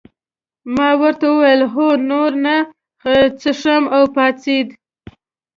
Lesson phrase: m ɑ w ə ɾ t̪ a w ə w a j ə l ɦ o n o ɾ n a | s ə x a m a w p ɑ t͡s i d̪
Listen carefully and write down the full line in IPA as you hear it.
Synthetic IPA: m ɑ w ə ɾ t̪ a w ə w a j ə l ɦ o n o ɾ n a | t͡s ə ʂ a m a w p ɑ t͡s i d̪